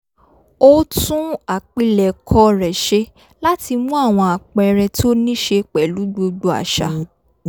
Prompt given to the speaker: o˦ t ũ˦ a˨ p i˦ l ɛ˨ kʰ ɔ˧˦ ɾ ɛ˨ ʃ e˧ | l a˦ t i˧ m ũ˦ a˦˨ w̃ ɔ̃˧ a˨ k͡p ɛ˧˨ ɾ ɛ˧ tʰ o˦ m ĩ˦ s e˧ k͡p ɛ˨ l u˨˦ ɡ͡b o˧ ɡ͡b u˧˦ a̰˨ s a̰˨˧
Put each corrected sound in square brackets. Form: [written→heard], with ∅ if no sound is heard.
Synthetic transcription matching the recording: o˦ t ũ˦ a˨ [p→k͡p] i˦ l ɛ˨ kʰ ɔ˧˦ ɾ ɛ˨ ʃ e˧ | l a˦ t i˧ m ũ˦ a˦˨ w̃ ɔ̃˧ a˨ k͡p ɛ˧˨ ɾ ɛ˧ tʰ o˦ [m→n] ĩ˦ [s→ʃ] e˧ k͡p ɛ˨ l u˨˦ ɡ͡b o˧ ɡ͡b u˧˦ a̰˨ [s→ʃ] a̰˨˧

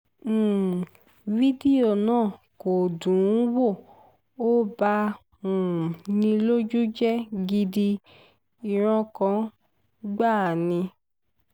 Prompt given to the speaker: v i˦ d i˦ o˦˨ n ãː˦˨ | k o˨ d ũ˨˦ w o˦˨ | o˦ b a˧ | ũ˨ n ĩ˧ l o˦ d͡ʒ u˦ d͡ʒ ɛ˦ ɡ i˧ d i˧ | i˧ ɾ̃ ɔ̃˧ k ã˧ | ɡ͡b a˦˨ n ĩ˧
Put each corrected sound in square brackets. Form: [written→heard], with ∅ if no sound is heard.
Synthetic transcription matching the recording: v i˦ d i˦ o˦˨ n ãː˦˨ | k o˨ d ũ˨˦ w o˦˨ | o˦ b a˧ | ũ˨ n ĩ˧ l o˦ d͡ʒ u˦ d͡ʒ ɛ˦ ɡ i˧ d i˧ | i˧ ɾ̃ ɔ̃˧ k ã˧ | ɡ͡b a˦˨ n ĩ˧

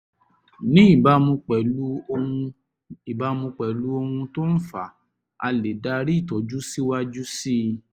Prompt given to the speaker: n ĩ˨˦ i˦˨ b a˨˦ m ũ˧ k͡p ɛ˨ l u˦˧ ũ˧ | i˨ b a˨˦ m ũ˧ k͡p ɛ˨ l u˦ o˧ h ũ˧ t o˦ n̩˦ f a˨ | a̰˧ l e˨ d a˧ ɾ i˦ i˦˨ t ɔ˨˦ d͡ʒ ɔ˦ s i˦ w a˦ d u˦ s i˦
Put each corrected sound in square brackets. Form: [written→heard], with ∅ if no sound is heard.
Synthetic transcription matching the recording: n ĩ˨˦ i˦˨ b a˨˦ m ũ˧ k͡p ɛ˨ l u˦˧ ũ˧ | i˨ b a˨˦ m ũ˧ k͡p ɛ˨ l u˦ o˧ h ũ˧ t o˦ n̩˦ f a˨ | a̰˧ l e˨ d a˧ ɾ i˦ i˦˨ t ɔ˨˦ d͡ʒ [ɔ˦→u˦] s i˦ w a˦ [d→d͡ʒ] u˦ s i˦

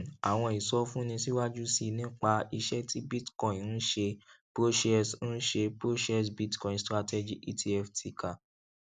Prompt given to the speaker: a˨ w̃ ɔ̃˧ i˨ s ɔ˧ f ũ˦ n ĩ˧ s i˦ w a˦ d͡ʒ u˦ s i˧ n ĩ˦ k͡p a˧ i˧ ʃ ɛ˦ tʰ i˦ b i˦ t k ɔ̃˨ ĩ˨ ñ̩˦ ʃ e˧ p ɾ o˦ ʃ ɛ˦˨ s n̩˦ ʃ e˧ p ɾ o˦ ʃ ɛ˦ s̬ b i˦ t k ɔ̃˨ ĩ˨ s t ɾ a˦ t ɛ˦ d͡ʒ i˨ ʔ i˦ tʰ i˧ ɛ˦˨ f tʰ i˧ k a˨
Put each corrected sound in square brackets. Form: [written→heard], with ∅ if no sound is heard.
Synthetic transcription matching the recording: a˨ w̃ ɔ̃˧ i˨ s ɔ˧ f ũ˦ n ĩ˧ s i˦ w a˦ d͡ʒ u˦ s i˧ n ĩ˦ k͡p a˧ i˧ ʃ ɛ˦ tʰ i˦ b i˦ t k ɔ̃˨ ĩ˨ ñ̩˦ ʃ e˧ p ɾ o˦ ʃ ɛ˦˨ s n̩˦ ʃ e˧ p ɾ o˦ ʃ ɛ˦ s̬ b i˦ t k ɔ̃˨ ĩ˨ s t ɾ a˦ t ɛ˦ d͡ʒ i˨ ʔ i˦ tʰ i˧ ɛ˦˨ f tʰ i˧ k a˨

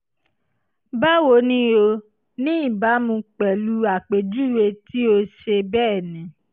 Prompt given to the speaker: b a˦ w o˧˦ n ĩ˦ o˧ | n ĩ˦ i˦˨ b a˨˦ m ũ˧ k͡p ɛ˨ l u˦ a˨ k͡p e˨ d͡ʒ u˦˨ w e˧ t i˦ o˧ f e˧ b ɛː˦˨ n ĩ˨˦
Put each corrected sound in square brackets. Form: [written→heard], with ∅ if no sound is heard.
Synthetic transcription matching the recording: b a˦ w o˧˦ n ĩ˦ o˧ | n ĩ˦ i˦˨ b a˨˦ m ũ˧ k͡p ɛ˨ l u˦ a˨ k͡p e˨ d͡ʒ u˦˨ w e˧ t i˦ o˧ [f→ʃ] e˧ b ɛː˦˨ n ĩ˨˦

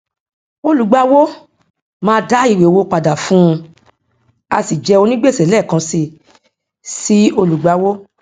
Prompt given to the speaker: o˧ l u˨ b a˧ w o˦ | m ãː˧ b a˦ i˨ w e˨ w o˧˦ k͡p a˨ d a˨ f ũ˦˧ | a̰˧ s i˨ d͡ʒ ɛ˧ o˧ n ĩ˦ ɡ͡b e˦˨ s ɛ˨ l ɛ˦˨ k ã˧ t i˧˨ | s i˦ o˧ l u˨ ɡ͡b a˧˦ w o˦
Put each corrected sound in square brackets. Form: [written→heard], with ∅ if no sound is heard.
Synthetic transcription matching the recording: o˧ l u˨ [b→ɡ͡b] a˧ w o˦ | m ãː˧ [b→d] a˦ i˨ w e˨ w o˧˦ k͡p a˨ d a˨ f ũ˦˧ | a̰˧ s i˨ d͡ʒ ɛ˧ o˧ n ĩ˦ ɡ͡b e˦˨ s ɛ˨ l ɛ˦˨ k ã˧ [t→s] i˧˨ | s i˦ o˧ l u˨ ɡ͡b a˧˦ w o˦

